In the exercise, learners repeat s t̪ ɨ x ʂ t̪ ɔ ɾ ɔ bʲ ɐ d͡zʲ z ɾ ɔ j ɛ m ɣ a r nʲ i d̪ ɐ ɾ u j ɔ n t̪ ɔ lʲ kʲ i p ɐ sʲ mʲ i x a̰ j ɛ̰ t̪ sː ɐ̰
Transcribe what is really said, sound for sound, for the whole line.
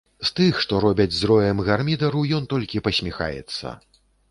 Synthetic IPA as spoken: s t̪ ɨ x ʂ t̪ ɔ ɾ ɔ bʲ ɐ d͡zʲ z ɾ ɔ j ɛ m ɣ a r mʲ i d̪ ɐ ɾ u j ɔ n t̪ ɔ lʲ kʲ i p ɐ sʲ mʲ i x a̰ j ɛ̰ t̪ sː ɐ̰